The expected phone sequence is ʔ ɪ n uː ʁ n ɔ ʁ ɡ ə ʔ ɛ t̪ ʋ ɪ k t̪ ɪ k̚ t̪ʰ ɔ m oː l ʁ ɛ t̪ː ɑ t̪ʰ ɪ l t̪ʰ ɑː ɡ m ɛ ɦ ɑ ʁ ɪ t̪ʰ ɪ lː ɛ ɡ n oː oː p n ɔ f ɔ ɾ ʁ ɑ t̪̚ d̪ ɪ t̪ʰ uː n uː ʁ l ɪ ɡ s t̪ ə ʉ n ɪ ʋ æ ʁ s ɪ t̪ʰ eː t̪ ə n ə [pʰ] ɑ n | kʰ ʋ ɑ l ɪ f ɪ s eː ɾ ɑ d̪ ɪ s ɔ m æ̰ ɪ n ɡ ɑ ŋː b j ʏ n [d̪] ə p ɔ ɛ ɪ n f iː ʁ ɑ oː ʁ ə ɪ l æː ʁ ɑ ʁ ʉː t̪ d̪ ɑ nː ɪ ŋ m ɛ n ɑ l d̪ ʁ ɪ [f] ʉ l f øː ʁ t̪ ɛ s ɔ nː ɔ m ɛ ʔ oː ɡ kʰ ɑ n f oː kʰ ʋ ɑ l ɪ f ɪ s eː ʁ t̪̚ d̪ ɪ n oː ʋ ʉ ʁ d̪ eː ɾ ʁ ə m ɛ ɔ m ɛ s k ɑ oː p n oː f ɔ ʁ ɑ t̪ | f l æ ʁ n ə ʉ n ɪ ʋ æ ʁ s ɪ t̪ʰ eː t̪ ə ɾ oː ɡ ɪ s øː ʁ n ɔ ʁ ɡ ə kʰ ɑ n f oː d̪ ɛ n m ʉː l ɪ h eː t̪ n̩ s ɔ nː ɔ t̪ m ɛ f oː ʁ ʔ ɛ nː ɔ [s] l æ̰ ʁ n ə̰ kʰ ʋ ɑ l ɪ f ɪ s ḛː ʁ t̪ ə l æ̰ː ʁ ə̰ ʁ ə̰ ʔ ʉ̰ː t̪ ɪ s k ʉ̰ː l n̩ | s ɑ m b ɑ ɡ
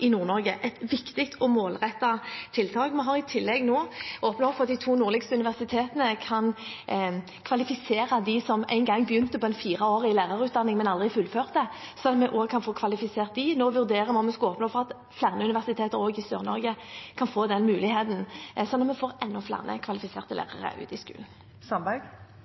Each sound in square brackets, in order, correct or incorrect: incorrect, incorrect, correct, incorrect

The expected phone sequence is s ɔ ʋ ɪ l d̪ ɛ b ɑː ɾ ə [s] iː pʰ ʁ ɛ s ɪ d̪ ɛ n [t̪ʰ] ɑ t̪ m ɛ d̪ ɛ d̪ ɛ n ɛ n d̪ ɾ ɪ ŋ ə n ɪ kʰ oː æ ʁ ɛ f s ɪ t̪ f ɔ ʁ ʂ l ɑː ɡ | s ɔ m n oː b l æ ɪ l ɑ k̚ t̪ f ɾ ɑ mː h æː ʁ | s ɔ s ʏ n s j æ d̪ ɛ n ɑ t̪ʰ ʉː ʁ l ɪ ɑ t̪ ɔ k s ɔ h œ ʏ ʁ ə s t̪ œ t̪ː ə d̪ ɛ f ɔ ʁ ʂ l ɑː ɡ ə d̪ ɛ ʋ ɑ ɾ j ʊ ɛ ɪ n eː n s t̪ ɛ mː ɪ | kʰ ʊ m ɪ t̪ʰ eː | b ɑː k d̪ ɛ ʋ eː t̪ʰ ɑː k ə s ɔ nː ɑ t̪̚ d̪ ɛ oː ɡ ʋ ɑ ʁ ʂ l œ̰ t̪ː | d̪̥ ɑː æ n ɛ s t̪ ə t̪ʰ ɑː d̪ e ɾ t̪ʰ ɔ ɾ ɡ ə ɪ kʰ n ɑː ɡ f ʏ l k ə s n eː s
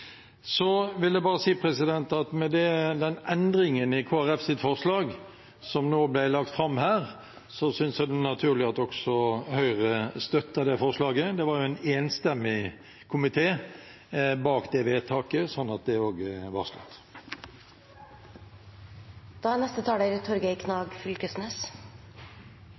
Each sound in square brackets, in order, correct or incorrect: correct, incorrect

